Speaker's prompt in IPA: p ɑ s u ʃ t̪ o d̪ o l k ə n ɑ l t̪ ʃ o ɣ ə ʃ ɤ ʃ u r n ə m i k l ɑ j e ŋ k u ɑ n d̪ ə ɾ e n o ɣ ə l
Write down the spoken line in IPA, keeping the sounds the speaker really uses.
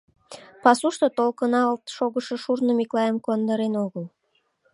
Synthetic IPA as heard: p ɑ s u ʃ t̪ o t̪ o l k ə n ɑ l t̪ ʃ o ɣ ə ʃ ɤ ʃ u r n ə m i k l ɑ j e m k u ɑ n d̪ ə ɾ e n o ɣ ə l